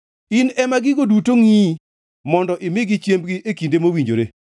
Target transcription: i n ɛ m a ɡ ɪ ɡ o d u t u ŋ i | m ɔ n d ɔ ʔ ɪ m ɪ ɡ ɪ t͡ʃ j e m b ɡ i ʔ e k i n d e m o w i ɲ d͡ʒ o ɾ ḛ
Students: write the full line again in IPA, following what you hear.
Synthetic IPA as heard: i n ɛ m a ɡ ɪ ɡ o d u t o ŋ i | m ɔ n d ɔ ʔ ɪ m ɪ ɡ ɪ t͡ʃ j e m b ɡ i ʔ e k i n d e m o w i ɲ d͡ʒ o ɾ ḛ